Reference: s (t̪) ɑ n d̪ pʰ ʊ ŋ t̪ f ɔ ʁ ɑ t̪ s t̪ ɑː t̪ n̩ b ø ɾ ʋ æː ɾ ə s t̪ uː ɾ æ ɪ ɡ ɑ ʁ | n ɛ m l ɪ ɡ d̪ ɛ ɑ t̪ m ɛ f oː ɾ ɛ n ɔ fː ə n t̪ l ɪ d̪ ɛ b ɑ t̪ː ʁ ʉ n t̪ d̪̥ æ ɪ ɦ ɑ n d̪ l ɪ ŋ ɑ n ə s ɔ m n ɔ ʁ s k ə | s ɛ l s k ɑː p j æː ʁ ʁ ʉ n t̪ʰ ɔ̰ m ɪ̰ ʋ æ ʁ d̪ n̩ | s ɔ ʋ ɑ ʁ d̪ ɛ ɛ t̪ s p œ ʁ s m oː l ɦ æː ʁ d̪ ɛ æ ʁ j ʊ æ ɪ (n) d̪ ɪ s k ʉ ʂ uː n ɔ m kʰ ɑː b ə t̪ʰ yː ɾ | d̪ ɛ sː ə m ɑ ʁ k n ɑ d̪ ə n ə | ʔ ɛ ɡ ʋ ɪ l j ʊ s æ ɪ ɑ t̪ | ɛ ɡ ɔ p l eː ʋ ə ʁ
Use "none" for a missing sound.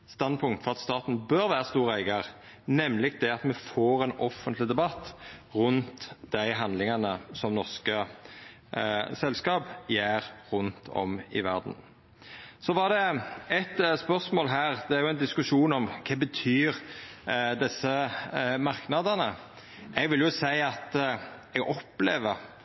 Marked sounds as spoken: t̪, n

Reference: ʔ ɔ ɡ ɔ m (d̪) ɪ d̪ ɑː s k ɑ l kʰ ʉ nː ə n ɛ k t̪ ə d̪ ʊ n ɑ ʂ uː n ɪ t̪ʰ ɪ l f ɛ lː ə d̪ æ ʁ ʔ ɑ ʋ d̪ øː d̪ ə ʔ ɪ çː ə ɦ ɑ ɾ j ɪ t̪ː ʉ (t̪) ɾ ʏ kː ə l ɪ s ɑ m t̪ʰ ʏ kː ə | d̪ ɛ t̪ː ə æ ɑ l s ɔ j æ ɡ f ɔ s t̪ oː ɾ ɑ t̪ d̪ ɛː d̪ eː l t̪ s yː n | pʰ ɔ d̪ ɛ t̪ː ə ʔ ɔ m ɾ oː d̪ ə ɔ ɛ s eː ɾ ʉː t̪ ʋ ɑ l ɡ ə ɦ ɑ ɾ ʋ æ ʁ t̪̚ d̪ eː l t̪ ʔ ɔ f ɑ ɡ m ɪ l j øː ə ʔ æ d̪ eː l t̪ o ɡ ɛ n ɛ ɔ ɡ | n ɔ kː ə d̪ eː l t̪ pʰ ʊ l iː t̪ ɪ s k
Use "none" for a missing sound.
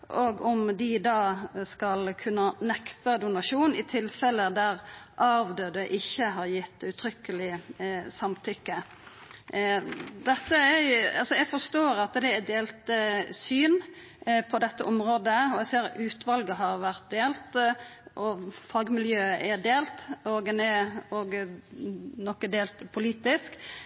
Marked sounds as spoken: d̪, t̪ʰ

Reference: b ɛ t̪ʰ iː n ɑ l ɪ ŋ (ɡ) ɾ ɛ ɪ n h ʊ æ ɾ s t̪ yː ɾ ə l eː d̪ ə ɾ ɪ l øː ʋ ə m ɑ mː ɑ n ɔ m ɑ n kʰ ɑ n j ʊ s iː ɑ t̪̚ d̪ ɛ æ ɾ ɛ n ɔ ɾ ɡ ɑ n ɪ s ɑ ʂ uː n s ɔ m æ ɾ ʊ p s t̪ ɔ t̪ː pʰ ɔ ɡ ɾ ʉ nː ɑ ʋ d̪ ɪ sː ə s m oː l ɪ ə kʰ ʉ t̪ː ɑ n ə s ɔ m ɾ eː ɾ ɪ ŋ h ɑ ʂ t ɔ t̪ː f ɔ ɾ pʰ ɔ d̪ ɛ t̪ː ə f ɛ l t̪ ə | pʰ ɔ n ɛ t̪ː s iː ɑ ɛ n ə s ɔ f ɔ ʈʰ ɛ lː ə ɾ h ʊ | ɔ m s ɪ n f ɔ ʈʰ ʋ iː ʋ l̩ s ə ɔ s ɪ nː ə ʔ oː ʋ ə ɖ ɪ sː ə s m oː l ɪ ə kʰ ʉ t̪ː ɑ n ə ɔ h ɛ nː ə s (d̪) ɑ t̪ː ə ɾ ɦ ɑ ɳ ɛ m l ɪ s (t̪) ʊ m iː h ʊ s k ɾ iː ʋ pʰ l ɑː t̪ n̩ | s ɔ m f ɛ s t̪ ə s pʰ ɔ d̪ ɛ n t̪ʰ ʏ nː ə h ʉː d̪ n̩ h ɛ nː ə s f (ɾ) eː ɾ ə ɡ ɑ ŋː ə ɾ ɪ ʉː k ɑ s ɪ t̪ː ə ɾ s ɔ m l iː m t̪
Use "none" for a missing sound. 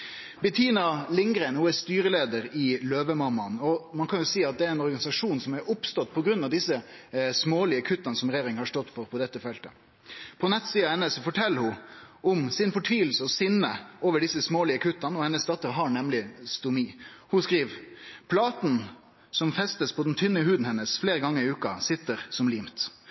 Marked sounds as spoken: ɡ, d̪, t̪, l

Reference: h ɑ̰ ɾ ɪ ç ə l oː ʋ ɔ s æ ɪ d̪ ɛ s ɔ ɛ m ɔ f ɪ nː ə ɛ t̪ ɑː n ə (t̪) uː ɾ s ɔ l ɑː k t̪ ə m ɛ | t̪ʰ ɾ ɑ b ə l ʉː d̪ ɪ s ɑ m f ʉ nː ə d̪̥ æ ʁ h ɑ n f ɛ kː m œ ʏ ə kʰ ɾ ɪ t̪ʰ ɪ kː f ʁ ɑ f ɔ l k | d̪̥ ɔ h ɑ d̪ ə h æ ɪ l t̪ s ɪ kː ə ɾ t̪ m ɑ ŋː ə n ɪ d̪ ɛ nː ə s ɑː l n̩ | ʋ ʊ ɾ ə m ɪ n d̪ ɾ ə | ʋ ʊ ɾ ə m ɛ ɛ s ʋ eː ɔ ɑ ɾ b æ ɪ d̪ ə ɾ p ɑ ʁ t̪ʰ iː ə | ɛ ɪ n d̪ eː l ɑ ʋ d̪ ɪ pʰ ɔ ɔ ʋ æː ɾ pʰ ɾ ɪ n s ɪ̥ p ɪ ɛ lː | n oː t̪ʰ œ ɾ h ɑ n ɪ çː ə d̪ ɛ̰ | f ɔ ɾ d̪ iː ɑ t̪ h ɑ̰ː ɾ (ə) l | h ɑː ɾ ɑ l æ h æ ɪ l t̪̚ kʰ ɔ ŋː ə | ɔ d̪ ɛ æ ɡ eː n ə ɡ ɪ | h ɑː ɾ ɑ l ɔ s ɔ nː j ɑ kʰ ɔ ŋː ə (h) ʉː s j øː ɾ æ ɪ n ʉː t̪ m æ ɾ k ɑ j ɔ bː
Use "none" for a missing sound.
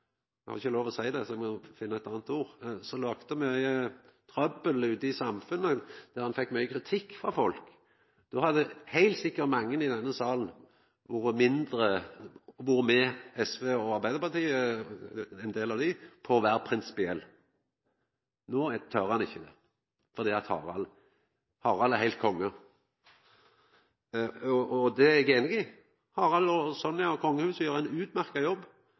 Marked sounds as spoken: t̪, ɑ, h

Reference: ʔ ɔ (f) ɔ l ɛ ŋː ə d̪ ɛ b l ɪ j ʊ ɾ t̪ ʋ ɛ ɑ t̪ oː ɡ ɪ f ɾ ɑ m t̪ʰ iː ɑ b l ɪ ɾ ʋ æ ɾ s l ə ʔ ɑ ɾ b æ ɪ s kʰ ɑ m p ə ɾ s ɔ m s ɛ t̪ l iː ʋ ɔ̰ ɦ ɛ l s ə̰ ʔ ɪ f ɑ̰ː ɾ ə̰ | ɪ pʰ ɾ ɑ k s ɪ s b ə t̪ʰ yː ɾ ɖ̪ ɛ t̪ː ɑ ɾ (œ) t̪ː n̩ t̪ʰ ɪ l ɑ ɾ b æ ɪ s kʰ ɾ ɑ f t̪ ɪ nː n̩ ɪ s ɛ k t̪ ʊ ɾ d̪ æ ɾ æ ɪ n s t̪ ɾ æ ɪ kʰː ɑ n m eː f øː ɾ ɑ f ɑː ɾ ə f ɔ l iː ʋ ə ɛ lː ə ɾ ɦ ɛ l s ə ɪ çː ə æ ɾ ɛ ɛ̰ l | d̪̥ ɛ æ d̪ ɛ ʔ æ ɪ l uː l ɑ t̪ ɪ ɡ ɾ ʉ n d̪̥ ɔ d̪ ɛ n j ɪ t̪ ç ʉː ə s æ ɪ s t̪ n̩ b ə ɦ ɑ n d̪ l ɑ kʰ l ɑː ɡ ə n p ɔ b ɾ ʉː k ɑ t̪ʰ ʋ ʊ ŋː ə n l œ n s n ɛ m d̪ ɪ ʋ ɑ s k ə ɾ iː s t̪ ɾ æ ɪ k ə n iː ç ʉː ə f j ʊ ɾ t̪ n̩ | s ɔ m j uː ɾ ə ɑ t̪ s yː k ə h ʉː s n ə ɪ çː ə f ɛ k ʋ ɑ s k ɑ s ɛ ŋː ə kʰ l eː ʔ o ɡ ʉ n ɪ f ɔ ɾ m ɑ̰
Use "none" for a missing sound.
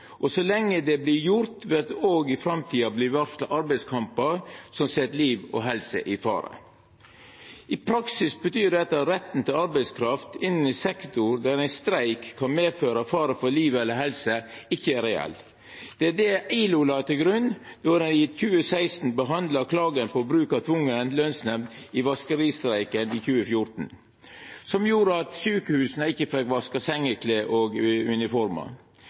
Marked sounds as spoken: s, ɛ

